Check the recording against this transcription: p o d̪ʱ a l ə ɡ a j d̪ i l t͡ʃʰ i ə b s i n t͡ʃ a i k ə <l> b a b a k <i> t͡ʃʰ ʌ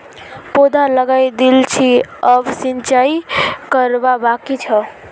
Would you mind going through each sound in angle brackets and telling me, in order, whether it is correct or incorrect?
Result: incorrect: ɾ, correct

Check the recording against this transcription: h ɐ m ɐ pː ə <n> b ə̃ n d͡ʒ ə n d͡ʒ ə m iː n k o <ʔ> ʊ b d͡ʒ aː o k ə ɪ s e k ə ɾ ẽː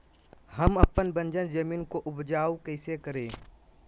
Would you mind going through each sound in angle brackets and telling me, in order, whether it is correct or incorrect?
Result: correct, correct

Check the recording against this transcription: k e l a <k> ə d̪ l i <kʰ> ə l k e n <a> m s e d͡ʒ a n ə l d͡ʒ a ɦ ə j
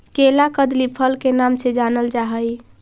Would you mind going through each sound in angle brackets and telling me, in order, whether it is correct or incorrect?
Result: correct, incorrect: pʰ, correct

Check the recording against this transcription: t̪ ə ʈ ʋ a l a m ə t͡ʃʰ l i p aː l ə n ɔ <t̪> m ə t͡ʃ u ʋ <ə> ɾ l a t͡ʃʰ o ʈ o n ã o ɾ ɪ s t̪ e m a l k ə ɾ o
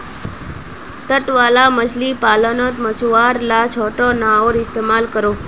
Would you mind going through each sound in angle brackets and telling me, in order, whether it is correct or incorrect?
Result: correct, incorrect: a

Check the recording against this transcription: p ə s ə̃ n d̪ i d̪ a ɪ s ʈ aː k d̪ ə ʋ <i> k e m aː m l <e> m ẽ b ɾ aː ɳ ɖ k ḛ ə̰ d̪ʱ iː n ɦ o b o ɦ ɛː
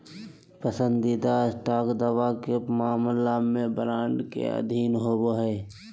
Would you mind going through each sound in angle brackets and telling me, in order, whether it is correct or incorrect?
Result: incorrect: a, incorrect: a

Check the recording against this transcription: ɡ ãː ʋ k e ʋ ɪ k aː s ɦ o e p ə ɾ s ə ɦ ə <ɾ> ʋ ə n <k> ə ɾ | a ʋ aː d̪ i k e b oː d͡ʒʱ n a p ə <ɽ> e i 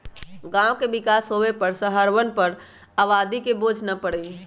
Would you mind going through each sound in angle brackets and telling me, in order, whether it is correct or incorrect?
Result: correct, incorrect: p, correct

